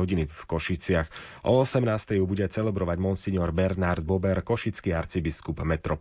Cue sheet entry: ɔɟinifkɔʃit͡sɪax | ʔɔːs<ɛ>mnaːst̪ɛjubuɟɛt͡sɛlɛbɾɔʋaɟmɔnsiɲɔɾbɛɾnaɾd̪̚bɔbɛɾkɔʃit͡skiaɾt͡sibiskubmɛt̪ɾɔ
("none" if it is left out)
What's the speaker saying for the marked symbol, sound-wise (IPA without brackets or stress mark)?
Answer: ɛ